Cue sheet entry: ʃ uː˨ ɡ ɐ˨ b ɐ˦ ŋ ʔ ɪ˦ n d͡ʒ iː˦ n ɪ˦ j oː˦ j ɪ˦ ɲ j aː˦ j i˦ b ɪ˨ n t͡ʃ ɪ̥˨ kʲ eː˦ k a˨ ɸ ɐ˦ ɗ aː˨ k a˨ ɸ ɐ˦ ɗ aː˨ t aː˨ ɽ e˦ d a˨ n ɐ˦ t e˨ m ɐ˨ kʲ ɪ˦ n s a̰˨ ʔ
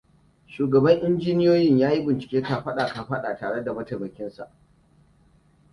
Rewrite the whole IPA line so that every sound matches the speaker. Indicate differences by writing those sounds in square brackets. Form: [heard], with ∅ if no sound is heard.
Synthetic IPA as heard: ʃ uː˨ ɡ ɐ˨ b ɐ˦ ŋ ʔ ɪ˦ n d͡ʒ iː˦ n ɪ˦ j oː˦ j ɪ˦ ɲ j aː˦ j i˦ b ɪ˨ n t͡ʃ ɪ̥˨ kʲ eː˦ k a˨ ɸ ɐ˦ ɗ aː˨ k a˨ ɸ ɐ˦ ɗ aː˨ t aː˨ ɽ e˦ d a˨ [m] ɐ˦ t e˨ m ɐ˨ kʲ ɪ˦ n s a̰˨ ʔ